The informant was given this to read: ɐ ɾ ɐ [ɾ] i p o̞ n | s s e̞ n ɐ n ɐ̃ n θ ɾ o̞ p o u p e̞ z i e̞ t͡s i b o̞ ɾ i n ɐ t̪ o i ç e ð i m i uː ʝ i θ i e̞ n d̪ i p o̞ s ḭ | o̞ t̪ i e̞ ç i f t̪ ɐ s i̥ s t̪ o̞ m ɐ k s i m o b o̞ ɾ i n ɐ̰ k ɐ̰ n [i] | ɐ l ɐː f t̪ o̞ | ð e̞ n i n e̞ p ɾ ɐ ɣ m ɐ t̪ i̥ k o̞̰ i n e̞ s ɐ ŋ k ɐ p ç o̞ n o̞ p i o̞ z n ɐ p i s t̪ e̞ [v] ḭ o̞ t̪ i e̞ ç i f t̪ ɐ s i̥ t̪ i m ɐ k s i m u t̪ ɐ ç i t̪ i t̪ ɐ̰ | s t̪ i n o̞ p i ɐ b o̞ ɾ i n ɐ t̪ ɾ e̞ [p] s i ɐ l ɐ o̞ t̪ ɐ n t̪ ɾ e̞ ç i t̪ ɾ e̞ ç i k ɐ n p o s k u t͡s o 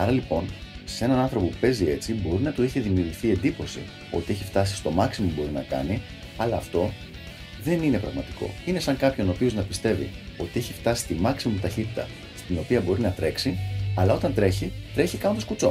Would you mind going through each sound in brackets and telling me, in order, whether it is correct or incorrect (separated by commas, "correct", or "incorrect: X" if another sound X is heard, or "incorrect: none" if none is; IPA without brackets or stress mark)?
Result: incorrect: l, correct, correct, incorrect: k